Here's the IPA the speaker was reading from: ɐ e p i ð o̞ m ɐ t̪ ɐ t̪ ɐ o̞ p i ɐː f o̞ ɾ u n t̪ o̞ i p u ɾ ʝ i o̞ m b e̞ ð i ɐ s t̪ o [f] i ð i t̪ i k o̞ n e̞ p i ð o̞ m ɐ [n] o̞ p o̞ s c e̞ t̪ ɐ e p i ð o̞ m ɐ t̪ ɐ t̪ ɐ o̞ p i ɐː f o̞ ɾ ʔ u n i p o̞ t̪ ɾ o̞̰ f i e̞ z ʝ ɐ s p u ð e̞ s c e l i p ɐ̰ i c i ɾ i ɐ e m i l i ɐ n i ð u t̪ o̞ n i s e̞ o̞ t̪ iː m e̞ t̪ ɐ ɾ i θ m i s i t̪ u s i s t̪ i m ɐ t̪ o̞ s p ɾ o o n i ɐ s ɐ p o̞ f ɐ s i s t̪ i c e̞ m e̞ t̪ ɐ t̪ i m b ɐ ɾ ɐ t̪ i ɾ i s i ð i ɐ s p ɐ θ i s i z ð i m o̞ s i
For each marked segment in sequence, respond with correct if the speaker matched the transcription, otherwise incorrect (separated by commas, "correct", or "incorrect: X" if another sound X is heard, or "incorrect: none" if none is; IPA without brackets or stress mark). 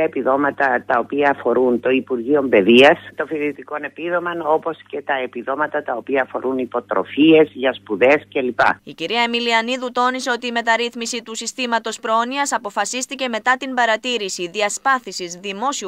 correct, correct